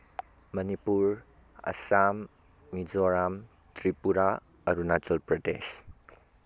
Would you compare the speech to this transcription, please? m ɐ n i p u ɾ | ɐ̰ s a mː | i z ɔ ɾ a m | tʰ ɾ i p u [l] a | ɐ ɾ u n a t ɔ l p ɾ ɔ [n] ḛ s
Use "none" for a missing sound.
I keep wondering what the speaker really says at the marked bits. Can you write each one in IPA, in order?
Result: ɾ, d

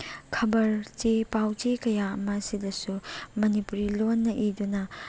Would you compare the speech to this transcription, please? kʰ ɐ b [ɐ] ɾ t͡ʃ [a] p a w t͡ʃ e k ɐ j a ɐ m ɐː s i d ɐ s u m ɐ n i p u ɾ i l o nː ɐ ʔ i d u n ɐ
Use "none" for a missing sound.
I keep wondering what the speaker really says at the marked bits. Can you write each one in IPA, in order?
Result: ɐ, e

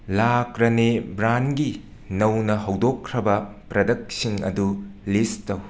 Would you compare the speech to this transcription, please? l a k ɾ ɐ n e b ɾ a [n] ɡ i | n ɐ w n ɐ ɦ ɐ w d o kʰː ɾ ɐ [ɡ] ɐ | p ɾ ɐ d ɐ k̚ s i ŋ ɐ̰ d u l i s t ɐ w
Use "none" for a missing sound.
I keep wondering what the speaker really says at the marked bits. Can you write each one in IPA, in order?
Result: n, b

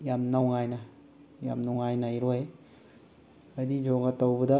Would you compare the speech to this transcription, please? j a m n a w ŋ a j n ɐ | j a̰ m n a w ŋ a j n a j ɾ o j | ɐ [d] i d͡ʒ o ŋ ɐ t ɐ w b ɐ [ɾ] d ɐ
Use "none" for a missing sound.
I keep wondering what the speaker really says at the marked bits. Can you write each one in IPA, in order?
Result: d, none

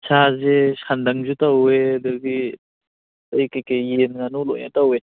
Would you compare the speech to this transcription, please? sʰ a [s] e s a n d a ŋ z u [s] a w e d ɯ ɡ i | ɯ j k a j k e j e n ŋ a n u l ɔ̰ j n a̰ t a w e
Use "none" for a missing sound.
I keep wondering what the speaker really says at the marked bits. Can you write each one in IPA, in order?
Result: z, t

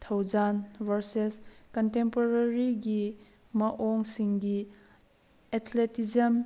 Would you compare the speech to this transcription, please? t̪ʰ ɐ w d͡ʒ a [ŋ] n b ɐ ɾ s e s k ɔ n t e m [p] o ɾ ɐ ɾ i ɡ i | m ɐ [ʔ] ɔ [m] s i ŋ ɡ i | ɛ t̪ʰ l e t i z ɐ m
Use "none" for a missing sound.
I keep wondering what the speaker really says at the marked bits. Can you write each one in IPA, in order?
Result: none, p, ʔ, ŋ

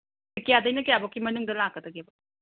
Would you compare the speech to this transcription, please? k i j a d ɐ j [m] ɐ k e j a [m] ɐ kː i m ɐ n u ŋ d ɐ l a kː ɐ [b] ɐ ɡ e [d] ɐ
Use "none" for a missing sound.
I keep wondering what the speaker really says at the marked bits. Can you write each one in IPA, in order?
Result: n, b, d, b

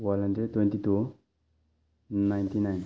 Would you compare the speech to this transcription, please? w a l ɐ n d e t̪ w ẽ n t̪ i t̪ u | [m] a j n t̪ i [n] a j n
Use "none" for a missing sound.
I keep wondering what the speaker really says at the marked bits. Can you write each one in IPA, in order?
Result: n, n

